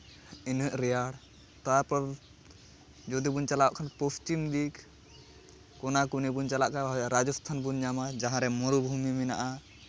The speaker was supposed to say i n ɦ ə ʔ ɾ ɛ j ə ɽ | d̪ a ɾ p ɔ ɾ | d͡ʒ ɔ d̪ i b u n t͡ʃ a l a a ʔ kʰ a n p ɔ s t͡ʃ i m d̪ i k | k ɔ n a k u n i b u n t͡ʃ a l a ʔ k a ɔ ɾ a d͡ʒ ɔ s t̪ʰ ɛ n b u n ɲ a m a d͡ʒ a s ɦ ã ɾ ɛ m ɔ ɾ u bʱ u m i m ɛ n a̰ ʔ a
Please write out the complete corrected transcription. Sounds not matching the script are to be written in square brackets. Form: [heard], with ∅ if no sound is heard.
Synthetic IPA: i n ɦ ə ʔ ɾ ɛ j [a] ɽ | [t̪] a ɾ p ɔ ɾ | d͡ʒ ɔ d̪ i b u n t͡ʃ a l a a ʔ kʰ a n p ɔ s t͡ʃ i m d̪ i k | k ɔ n a k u n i b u n t͡ʃ a l a ʔ k a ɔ ɾ a d͡ʒ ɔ s t̪ʰ [a] n b u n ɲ a m a d͡ʒ a [∅] ɦ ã ɾ ɛ m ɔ ɾ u bʱ u m i m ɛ n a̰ ʔ a